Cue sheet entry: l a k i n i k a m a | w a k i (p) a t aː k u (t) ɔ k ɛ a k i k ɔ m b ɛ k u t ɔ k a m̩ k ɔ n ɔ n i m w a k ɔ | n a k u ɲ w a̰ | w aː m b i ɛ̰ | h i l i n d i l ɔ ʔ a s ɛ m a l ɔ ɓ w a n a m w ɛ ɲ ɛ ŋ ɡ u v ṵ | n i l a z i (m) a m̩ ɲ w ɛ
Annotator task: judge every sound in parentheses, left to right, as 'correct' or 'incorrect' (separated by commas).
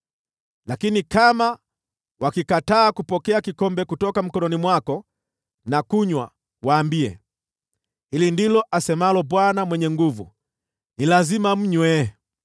incorrect, incorrect, correct